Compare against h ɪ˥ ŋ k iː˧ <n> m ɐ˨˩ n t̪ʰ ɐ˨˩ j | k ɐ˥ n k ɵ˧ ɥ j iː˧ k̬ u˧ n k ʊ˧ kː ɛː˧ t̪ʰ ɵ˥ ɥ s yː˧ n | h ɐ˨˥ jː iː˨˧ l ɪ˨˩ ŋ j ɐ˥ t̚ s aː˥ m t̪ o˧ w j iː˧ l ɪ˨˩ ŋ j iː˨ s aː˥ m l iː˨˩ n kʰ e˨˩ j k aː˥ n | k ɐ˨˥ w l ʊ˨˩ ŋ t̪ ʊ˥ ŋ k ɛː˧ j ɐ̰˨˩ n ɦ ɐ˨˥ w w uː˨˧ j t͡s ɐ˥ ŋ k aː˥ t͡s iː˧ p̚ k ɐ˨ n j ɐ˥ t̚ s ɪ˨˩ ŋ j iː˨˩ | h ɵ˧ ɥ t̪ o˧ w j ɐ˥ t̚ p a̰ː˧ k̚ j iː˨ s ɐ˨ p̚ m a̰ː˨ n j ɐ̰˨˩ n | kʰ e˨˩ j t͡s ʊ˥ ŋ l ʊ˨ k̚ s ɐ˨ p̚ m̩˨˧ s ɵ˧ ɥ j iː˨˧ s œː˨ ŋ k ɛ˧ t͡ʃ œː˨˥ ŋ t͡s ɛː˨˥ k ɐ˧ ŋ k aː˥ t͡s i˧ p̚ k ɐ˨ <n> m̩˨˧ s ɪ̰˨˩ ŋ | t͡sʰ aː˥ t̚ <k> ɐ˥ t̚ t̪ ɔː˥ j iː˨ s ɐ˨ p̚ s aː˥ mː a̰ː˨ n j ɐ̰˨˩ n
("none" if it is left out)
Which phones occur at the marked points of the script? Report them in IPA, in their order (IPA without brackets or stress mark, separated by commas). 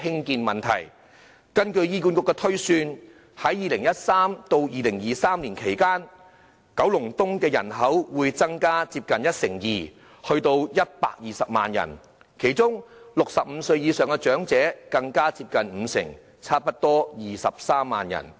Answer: n, n, p